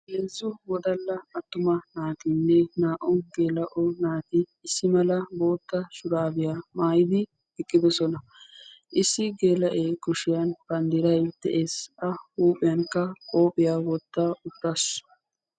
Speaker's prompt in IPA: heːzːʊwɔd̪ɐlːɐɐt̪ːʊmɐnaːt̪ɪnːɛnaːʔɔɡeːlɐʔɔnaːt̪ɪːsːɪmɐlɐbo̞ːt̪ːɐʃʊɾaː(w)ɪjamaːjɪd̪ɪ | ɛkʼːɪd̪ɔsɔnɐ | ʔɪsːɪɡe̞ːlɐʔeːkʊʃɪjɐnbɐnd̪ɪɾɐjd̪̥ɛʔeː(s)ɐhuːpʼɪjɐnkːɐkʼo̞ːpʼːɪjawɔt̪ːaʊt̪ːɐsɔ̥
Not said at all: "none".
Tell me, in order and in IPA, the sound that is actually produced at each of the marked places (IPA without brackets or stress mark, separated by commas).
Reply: b, s